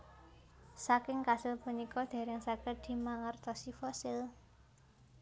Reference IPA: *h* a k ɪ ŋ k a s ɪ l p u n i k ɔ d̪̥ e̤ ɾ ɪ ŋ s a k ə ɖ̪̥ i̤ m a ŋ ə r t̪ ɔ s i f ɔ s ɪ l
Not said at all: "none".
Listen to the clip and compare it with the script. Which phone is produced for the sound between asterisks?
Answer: s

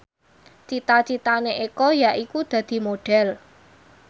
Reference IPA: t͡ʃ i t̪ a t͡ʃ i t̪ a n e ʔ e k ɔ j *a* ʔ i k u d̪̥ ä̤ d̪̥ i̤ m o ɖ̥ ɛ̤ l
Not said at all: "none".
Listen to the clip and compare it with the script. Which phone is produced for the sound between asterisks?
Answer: a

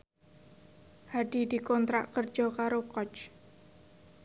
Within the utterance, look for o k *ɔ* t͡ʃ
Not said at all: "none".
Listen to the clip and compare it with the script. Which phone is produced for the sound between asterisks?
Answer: ɔ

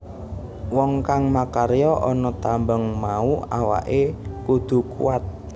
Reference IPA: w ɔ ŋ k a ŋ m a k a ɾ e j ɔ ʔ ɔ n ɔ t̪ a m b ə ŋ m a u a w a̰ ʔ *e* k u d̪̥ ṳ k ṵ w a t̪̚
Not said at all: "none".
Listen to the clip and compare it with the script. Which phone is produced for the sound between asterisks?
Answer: e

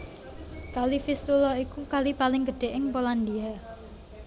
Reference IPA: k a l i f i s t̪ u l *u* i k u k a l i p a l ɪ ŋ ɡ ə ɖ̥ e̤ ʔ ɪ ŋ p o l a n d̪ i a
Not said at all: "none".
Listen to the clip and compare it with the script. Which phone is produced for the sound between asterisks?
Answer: ɔ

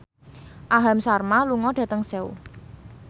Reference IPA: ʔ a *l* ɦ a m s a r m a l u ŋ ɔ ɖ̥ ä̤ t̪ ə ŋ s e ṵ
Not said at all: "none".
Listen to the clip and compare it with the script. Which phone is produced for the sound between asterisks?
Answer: none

